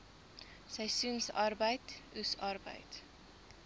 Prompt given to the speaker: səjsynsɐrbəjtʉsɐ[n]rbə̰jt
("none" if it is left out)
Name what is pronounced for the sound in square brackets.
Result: none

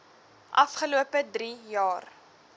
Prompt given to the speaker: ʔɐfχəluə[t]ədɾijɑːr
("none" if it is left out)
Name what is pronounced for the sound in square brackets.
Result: p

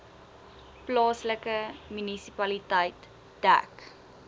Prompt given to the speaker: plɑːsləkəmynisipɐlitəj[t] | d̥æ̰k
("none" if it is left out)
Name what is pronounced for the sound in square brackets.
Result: t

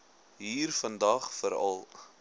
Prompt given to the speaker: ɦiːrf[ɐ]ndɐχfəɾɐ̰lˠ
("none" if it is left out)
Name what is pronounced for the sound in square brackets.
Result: ə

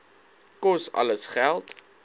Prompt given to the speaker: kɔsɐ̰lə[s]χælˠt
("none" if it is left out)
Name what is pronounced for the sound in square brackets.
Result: s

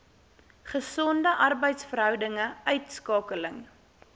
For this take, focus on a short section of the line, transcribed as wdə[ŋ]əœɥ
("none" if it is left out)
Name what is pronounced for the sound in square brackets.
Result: ŋ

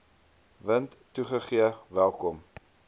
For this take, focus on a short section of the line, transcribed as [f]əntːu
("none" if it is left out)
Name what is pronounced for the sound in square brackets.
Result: v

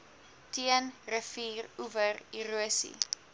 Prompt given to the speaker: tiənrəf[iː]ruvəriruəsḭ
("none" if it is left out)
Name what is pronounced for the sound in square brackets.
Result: iː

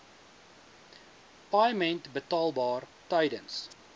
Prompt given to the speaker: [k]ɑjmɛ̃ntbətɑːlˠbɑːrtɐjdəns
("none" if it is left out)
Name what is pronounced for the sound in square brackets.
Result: p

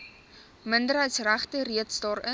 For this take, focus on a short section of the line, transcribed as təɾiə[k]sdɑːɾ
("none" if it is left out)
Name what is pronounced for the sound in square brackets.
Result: t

